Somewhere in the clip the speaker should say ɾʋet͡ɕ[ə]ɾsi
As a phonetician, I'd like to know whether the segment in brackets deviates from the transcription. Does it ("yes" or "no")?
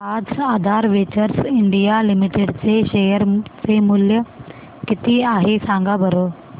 no